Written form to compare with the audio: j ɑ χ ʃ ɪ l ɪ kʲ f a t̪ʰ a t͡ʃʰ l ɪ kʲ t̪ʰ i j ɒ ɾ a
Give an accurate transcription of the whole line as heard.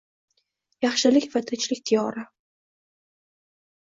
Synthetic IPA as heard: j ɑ χ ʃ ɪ l ɪ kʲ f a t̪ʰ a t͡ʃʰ l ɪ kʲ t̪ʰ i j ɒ ɾ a